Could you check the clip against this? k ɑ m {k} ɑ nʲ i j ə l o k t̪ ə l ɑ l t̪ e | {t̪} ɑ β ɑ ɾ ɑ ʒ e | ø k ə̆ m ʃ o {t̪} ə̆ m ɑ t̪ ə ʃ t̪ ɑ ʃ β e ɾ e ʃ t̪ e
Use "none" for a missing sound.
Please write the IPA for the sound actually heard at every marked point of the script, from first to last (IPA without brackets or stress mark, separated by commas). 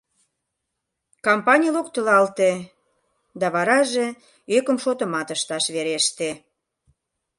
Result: p, d̪, t̪